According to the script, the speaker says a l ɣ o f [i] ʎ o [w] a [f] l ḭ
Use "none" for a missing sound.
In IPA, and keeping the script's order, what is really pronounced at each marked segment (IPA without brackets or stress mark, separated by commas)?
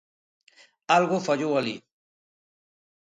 a, w, none